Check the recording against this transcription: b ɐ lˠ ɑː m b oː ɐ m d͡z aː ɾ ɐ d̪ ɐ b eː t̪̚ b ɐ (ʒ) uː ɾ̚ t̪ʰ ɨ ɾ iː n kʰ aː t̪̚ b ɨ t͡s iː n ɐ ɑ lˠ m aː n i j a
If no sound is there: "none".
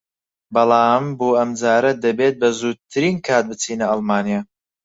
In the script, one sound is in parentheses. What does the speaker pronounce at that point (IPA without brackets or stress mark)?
z